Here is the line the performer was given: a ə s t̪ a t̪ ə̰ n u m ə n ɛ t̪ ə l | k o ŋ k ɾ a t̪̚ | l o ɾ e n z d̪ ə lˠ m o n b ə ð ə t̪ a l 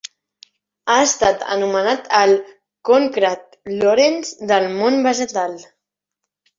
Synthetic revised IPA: a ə s t̪ a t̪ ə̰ n u m ə n a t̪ ə l | k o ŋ k ɾ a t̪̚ | l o ɾ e n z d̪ ə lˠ m o n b ə ʒ ə t̪ a l